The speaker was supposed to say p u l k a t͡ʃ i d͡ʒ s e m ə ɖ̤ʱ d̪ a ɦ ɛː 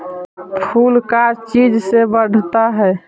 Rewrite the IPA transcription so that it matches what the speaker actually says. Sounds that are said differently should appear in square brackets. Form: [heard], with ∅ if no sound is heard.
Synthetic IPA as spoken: [pʰ] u l k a t͡ʃ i d͡ʒ s e [b] ə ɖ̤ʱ [t̪] a ɦ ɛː